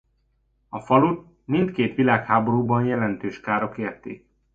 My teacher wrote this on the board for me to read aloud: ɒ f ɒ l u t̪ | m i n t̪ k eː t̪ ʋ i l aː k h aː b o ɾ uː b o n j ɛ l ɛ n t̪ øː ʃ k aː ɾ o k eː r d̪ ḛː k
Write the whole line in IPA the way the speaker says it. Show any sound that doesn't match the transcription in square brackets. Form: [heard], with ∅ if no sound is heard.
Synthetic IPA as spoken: ɒ f ɒ l u t̪ | m i n t̪ k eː t̪ ʋ i l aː k h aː b o ɾ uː b [ɒ] n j ɛ l ɛ n t̪ øː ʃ k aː ɾ o k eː r [t̪] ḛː k